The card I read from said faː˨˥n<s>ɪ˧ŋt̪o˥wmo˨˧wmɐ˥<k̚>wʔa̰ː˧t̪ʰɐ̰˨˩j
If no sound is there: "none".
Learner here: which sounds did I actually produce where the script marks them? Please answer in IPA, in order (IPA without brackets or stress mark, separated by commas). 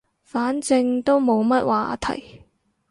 t͡s, t̚